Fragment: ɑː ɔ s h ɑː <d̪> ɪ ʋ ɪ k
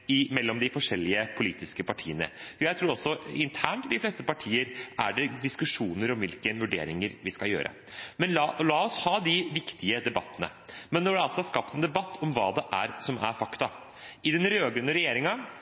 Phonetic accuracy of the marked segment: correct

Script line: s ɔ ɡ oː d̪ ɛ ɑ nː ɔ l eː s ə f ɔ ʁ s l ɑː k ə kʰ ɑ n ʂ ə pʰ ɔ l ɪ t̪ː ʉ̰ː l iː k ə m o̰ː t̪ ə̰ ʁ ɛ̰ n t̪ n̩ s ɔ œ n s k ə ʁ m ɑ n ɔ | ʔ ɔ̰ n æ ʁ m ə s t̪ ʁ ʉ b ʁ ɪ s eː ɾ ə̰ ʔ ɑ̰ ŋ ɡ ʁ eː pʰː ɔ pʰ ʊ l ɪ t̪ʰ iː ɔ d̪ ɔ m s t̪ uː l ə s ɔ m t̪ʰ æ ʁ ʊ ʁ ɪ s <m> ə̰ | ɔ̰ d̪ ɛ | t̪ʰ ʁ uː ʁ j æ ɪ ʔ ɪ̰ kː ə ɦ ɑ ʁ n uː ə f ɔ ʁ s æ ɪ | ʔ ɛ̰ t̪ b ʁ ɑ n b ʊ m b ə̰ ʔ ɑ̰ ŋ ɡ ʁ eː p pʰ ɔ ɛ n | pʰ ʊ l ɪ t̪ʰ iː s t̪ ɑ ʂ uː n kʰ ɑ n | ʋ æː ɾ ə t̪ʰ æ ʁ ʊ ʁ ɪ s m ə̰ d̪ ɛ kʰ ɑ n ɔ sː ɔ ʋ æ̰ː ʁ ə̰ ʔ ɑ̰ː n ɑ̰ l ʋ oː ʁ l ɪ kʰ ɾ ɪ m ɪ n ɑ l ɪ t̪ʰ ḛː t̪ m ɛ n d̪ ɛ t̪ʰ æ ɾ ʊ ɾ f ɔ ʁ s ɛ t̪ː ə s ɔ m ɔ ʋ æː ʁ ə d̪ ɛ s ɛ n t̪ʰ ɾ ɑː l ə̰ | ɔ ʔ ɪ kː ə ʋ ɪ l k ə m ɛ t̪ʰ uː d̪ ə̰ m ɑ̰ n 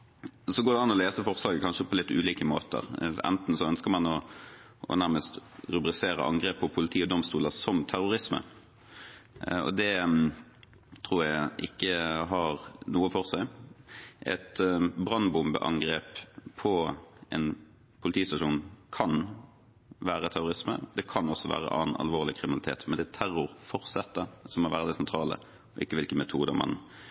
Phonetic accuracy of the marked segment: correct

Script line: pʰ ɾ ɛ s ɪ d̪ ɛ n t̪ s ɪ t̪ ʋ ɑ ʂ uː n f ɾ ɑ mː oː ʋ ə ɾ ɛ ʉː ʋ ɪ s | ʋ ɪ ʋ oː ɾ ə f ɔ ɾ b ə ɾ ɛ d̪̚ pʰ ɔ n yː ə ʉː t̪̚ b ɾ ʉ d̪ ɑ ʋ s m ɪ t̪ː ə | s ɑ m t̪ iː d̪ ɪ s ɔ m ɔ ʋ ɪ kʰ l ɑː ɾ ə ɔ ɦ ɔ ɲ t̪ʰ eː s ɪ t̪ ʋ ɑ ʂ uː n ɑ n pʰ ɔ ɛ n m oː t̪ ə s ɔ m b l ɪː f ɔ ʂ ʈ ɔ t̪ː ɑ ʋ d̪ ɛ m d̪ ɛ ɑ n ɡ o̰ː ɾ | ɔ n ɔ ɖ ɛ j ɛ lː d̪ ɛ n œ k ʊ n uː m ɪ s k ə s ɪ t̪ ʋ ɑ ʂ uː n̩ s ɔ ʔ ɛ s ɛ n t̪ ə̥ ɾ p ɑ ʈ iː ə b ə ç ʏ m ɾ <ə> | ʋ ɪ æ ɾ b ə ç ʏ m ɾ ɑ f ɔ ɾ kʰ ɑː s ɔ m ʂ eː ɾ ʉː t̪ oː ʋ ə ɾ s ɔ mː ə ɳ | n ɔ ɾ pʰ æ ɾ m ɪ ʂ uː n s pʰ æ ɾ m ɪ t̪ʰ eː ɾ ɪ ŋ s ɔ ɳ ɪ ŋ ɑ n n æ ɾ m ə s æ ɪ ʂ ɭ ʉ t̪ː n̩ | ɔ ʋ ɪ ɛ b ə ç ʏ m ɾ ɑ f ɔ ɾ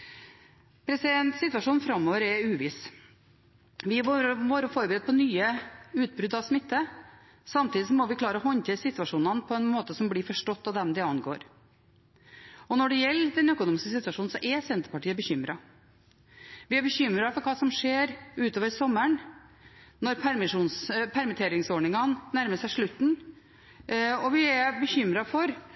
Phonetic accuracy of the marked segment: incorrect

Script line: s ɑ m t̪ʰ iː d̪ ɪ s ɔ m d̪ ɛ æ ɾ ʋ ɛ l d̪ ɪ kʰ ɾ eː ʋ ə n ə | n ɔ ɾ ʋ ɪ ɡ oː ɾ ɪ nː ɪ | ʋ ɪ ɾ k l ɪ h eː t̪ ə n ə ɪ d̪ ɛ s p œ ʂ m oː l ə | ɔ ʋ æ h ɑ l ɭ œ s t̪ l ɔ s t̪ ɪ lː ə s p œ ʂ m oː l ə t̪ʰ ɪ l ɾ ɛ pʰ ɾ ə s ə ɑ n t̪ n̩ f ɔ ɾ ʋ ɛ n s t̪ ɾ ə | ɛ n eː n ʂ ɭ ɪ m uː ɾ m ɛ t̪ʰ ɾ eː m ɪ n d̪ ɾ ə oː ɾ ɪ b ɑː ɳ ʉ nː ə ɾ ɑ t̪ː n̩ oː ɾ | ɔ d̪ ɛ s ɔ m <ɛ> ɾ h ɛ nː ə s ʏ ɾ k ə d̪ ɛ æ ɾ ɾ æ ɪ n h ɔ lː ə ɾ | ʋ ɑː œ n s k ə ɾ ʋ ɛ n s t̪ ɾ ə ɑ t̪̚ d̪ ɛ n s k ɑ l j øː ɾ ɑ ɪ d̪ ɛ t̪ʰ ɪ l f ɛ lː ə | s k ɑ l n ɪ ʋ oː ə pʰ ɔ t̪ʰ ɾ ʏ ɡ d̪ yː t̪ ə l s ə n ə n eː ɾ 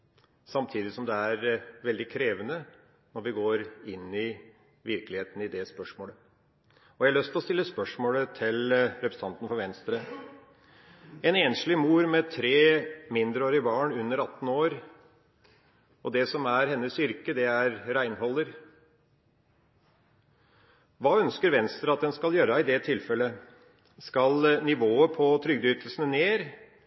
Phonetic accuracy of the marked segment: incorrect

